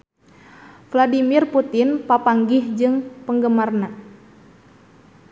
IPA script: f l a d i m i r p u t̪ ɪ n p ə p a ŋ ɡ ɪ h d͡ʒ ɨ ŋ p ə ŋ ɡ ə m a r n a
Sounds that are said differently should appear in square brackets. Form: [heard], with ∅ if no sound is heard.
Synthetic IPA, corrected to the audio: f l a d i m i r p u t̪ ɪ n p [a] p a ŋ ɡ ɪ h d͡ʒ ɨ ŋ p ə ŋ ɡ ə m a r n a